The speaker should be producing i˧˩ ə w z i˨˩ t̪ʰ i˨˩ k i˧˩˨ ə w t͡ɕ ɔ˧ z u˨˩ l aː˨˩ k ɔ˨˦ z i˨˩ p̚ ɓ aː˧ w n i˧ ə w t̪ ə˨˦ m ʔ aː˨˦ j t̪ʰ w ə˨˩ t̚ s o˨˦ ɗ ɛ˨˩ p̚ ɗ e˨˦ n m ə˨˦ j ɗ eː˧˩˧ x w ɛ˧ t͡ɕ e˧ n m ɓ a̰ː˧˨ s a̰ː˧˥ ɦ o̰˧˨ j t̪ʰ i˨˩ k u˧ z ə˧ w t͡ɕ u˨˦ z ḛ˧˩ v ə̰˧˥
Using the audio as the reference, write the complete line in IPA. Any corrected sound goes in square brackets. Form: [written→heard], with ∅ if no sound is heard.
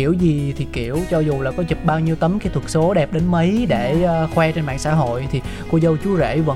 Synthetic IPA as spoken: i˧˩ ə w z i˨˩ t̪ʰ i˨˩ k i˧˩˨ ə w t͡ɕ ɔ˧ z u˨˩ l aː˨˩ k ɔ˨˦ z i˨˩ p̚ ɓ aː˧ w [n→ɲ] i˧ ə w t̪ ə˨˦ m [ʔ→k] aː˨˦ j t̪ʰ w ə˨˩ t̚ s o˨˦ ɗ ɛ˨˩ p̚ ɗ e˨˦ n m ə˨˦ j ɗ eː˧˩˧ x w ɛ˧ t͡ɕ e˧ n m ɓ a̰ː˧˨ s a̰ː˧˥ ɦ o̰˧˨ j t̪ʰ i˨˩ k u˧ z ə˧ w t͡ɕ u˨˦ z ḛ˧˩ v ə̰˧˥